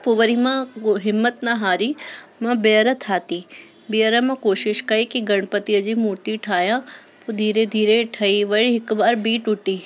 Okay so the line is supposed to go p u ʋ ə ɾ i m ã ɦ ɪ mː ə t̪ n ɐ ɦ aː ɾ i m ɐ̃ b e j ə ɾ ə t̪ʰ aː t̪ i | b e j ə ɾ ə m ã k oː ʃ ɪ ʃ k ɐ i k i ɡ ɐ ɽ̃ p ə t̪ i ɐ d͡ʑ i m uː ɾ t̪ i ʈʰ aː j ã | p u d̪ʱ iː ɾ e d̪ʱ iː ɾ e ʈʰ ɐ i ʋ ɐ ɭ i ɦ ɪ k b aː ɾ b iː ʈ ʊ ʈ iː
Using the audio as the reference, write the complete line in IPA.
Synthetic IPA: p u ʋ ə ɾ i m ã ɦ ɪ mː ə t̪ n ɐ ɦ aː ɾ i m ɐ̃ b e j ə ɾ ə t̪ʰ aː t̪ i | b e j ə ɾ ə m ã k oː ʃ ɪ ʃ k ɐ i k i ɡ ɐ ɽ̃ p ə t̪ i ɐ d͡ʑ i m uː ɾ t̪ i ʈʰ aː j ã | p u d̪ʱ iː ɾ e d̪ʱ iː ɾ e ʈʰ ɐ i ʋ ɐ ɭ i ɦ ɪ k b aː ɾ b iː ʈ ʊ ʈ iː

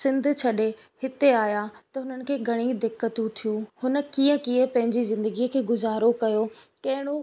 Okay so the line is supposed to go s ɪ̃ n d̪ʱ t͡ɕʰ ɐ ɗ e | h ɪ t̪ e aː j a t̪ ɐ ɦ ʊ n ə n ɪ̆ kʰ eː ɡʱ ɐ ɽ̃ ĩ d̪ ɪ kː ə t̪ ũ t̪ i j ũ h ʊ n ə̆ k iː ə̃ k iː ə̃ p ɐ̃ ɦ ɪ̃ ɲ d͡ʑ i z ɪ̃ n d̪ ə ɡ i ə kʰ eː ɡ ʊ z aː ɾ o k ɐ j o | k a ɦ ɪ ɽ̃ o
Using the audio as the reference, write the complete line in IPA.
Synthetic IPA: s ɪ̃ n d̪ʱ t͡ɕʰ ɐ ɗ e | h ɪ t̪ e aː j a t̪ ɐ ɦ ʊ n ə n ɪ̆ kʰ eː ɡʱ ɐ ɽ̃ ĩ d̪ ɪ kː ə t̪ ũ t̪ʰ i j ũ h ʊ n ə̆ k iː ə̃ k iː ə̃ p ɐ̃ ɦ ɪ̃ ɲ d͡ʑ i z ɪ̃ n d̪ ə ɡ i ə kʰ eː ɡ ʊ z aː ɾ o k ɐ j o | k ɐ ɦ ɪ ɽ̃ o

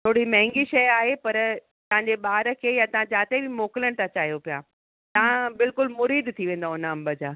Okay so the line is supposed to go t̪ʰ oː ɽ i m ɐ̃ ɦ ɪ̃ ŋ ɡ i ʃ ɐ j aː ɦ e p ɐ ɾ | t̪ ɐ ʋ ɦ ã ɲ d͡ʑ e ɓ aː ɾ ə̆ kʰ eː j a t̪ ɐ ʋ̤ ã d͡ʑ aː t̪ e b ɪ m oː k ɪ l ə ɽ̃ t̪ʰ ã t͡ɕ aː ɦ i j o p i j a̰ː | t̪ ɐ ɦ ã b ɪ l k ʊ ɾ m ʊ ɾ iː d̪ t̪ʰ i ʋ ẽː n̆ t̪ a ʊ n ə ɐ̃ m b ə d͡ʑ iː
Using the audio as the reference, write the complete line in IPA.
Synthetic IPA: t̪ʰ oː ɽ i m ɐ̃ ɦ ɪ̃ ŋ ɡ i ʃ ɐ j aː ɦ e p ɐ ɾ | t̪ ɐ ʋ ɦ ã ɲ d͡ʑ e ɓ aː ɾ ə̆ kʰ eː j a t̪ ɐ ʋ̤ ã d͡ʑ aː t̪ e b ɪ m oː k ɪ l ə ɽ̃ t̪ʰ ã t͡ɕ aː ɦ i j o p i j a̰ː | t̪ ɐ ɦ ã b ɪ l k ʊ l m ʊ ɾ iː d̪ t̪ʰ i ʋ ẽː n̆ d̪ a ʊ n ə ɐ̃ m b ə d͡ʑ aː

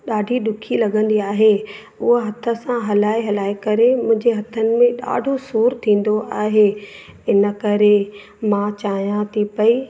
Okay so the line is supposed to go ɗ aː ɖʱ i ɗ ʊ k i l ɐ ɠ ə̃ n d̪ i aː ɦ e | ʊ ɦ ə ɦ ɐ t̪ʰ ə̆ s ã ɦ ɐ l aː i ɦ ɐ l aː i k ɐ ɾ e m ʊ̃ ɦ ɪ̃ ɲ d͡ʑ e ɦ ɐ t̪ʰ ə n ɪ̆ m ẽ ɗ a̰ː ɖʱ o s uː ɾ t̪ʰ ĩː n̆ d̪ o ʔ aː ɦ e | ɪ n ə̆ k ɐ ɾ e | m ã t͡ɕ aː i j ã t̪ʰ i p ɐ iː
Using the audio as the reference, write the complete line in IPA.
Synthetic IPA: ɗ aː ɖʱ i ɗ ʊ kʰ i l ɐ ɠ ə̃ n d̪ i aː ɦ e | ʊ ɦ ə ɦ ɐ t̪ʰ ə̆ s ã ɦ ɐ l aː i ɦ ɐ l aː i k ɐ ɾ e m ʊ̃ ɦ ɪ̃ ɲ d͡ʑ e ɦ ɐ t̪ʰ ə n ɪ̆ m ẽ ɗ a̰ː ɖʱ o s uː ɾ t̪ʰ ĩː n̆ d̪ o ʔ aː ɦ e | ɪ n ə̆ k ɐ ɾ e | m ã t͡ɕ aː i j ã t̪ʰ i p ɐ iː

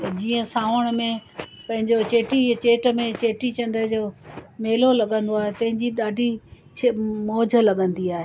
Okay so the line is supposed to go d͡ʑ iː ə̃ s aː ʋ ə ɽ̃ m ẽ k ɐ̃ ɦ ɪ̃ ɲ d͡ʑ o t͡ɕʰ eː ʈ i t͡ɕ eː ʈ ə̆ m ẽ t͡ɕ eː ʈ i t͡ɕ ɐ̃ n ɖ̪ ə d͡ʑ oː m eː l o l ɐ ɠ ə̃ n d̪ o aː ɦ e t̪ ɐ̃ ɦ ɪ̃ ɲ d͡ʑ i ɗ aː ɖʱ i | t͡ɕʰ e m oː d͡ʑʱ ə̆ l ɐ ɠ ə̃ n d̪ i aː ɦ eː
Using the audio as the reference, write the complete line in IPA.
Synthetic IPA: d͡ʑ iː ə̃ s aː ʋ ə ɽ̃ m ẽ p ɐ̃ ɦ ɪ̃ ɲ d͡ʑ o t͡ɕ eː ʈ i t͡ɕ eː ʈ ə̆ m ẽ t͡ɕ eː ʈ i t͡ɕ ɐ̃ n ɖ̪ ə d͡ʑ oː m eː l o l ɐ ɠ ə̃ n d̪ o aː ɦ e t̪ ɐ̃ ɦ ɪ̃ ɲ d͡ʑ i ɗ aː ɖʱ i | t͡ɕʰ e m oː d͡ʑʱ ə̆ l ɐ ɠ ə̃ n d̪ i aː ɦ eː

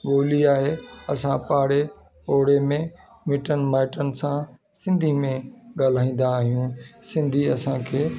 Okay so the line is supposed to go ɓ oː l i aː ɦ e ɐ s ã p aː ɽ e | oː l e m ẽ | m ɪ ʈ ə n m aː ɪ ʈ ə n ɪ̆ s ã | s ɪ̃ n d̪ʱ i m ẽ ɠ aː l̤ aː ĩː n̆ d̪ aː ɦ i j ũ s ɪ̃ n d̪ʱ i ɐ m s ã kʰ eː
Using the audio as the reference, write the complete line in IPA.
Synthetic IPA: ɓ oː l i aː ɦ e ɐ s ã p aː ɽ e | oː ɽ e m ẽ | m ɪ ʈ ə n m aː ɪ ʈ ə n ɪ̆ s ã | s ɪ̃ n d̪ʱ i m ẽ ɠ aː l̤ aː ĩː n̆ d̪ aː ɦ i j ũ s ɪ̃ n d̪ʱ i ɐ s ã kʰ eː

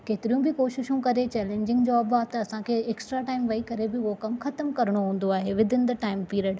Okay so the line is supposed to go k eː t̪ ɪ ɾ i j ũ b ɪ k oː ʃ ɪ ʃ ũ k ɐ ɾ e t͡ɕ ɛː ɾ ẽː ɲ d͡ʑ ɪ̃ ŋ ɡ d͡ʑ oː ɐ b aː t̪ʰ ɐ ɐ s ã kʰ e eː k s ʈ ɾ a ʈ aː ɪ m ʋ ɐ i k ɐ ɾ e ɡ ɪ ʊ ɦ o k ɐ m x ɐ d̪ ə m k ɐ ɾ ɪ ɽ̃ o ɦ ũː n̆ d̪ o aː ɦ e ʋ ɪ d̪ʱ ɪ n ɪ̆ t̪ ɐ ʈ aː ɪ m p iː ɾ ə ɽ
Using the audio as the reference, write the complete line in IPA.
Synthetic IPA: k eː t̪ ɪ ɾ i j ũ b ɪ k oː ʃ ɪ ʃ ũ k ɐ ɾ e t͡ɕ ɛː l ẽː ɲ d͡ʑ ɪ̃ ŋ ɡ d͡ʑ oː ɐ b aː t̪ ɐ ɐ s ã kʰ e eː k s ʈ ɾ a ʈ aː ɪ m ʋ ɐ i k ɐ ɾ e b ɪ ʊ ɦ o k ɐ m x ɐ t̪ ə m k ɐ ɾ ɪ ɽ̃ o ɦ ũː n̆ d̪ o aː ɦ e ʋ ɪ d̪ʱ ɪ n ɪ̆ d̪ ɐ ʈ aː ɪ m p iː ɾ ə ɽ

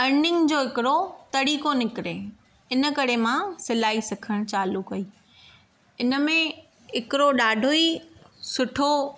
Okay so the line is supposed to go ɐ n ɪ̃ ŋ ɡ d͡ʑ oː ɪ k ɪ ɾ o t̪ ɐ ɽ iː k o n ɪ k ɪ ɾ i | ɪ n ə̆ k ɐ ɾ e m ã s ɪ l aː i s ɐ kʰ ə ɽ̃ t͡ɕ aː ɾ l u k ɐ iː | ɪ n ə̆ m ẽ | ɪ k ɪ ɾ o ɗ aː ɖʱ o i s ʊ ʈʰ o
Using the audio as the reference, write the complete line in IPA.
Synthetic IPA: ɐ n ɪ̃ ŋ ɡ d͡ʑ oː ɪ k ɪ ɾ o t̪ ɐ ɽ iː k o n ɪ k ɪ ɾ e | ɪ n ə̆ k ɐ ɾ e m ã s ɪ l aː i s ɐ kʰ ə ɽ̃ t͡ɕ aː l u k ɐ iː | ɪ n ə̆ m ẽ | ɪ k ɪ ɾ o ɗ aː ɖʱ o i s ʊ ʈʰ o

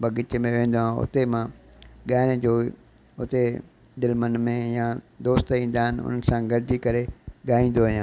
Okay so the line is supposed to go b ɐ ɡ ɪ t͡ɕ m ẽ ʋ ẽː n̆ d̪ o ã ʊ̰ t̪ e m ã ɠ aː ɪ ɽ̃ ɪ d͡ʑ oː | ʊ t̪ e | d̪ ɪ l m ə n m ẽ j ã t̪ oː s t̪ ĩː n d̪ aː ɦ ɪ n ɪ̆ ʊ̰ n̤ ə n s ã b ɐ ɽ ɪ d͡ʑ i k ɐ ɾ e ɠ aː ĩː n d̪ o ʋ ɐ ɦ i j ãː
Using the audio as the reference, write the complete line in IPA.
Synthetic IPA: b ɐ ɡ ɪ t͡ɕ m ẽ ʋ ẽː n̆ d̪ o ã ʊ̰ t̪ e m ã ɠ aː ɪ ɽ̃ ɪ d͡ʑ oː | ʊ t̪ e | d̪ ɪ l m ə n m ẽ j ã d̪ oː s t̪ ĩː n d̪ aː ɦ ɪ n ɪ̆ ʊ̰ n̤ ə n s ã ɡ ɐ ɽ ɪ d͡ʑ i k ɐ ɾ e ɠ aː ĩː n d̪ o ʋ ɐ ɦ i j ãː

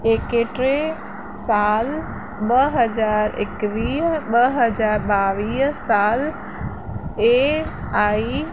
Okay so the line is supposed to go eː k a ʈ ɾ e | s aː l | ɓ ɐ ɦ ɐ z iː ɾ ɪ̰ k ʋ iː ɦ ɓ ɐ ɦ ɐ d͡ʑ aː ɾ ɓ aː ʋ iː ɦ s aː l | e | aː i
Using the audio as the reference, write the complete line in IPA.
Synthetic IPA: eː k e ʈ ɾ e | s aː l | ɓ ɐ ɦ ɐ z aː ɾ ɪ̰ k ʋ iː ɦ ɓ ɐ ɦ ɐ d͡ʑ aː ɾ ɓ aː ʋ iː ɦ s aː l | e | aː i

